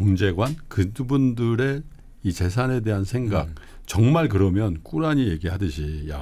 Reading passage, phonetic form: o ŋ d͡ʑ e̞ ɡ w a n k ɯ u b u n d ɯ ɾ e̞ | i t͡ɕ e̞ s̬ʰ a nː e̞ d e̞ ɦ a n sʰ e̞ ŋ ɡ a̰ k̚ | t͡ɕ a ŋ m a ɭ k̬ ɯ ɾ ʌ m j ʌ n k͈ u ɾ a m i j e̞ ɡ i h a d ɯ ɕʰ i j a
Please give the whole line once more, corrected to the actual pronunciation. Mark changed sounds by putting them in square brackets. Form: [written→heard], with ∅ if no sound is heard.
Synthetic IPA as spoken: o ŋ d͡ʑ e̞ ɡ w a n k ɯ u b u n d ɯ ɾ e̞ | i t͡ɕ e̞ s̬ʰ a [nː→n] e̞ d e̞ ɦ a n sʰ e̞ ŋ ɡ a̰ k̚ | t͡ɕ [a→ʌ] ŋ m a ɭ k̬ ɯ ɾ ʌ m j ʌ n k͈ u ɾ a [m→ɲ] i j e̞ ɡ i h a d ɯ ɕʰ i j a